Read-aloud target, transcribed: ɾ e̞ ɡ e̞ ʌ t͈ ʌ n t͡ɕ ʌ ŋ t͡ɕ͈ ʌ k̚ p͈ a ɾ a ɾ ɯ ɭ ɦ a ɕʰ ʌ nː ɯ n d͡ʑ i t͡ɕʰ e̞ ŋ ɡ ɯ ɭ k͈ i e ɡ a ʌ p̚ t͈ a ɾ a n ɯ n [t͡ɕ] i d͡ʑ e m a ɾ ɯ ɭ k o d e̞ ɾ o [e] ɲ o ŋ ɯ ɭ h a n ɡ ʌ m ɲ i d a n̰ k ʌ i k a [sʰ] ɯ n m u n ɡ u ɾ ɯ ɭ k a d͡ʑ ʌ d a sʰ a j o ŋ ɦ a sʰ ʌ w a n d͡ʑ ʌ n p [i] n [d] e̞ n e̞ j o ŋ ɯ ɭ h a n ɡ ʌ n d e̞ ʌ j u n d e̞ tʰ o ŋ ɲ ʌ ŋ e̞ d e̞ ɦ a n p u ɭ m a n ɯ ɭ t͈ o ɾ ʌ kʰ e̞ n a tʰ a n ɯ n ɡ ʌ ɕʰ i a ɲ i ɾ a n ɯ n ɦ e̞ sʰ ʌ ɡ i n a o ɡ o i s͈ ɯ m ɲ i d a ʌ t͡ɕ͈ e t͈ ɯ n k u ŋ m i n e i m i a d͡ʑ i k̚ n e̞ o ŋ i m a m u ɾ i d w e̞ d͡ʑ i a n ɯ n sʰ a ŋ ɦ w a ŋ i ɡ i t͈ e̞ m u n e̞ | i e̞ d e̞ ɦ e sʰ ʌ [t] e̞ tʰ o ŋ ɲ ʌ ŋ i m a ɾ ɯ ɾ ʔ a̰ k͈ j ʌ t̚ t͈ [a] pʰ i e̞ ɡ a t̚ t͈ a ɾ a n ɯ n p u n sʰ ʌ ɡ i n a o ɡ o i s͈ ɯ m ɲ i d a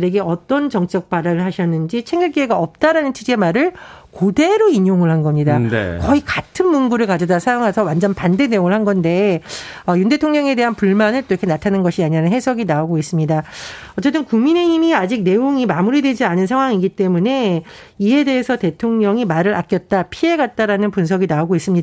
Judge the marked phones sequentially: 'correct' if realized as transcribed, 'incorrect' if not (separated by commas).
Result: incorrect, incorrect, incorrect, incorrect, correct, correct, correct